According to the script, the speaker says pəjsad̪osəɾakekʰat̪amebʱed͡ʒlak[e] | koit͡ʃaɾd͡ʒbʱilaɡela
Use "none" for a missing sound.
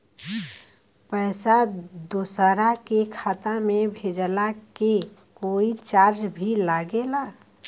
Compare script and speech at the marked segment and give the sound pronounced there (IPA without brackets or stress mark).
e